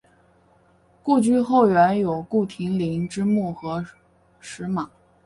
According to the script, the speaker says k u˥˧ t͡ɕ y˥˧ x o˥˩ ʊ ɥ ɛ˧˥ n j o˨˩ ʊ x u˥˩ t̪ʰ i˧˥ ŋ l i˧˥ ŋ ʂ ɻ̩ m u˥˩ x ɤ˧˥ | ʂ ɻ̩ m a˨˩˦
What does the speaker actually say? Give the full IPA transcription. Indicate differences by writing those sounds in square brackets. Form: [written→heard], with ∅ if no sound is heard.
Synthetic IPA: k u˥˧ t͡ɕ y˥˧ x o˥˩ ʊ ɥ ɛ˧˥ n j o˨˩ ʊ [x→k] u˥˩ t̪ʰ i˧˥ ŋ l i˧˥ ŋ [ʂ→ʈ͡ʂ] ɻ̩ m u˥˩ x ɤ˧˥ | ʂ ɻ̩ m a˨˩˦